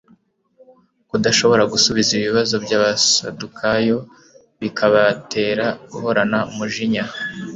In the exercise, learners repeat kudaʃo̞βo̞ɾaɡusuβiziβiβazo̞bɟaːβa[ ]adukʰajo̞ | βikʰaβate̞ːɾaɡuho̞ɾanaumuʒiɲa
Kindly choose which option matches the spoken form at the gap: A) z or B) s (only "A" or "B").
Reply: B